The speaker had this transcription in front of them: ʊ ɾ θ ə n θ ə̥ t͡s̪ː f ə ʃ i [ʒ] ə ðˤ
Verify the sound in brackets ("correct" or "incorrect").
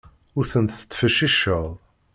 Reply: incorrect